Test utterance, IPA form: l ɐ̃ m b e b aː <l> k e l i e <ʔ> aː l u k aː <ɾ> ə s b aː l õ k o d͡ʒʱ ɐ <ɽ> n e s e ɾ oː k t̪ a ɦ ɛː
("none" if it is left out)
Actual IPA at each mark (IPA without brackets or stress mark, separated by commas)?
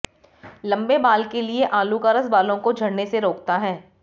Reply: l, ʔ, ɾ, ɽ